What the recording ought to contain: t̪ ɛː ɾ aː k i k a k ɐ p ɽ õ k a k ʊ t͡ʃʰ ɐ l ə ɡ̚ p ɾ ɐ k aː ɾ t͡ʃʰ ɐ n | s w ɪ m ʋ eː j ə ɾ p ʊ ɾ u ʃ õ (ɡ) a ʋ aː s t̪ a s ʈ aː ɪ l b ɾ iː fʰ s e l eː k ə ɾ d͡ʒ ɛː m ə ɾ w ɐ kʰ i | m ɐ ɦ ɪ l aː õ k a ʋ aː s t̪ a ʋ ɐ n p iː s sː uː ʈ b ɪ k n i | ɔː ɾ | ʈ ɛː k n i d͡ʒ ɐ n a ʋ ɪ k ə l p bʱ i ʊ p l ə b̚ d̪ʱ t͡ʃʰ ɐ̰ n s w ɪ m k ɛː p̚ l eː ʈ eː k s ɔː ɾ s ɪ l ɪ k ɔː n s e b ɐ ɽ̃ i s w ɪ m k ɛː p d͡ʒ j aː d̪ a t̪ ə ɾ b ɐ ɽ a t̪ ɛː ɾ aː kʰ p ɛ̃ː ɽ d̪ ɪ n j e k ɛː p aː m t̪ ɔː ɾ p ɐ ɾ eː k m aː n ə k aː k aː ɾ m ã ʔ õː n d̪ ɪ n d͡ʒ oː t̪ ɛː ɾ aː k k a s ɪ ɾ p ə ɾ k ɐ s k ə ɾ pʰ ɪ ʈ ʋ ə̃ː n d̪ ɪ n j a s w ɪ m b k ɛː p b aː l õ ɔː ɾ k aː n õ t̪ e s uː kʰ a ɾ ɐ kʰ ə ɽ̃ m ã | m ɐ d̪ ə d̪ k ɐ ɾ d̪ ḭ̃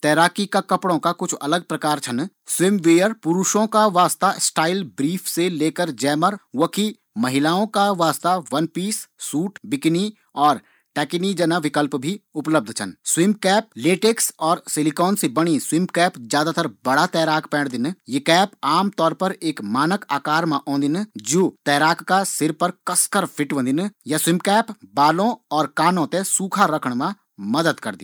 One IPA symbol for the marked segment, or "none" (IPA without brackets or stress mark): k